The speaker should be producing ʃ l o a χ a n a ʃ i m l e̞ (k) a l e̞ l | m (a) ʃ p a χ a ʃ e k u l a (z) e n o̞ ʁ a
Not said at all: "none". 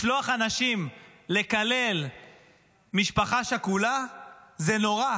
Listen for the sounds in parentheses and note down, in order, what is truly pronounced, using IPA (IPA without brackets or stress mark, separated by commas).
k, i, z